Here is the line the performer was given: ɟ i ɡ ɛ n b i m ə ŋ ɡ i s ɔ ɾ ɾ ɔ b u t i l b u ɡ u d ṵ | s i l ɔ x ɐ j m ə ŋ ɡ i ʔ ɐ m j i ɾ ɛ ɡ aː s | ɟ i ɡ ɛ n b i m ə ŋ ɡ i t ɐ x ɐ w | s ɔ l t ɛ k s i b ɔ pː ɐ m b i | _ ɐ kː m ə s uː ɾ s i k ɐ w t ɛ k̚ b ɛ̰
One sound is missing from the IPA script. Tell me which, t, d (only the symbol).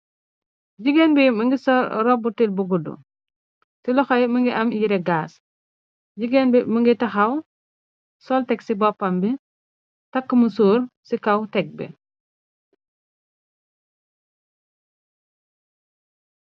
t